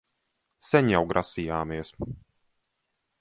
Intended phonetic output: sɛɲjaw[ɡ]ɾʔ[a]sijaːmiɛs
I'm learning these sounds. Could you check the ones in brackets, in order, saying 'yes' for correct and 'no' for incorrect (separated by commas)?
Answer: yes, yes